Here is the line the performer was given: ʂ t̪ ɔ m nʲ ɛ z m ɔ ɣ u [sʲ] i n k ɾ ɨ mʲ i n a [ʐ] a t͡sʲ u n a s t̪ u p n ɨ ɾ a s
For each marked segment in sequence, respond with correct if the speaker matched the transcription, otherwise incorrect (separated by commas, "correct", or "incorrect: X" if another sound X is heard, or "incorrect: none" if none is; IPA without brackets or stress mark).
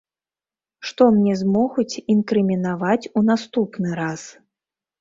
incorrect: t͡sʲ, incorrect: v